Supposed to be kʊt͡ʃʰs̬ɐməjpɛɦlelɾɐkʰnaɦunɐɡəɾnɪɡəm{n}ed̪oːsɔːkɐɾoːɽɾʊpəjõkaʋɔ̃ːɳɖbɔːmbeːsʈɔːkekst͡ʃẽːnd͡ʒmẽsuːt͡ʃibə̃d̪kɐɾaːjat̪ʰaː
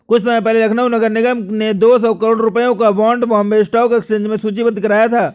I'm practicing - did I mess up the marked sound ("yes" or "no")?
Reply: no